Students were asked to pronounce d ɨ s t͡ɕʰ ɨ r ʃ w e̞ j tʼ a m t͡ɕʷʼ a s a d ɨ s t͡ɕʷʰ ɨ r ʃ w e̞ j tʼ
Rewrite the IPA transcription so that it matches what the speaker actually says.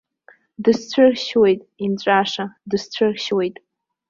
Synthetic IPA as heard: d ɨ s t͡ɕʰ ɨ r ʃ w e̞ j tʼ i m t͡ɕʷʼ a ʂ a d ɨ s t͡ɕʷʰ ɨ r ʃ w e̞ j tʼ